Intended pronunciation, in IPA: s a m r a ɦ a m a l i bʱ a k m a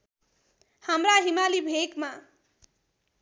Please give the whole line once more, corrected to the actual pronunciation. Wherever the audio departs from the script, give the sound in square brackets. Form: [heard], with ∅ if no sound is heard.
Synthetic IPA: [h] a m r a ɦ [i] m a l i bʱ [e] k m a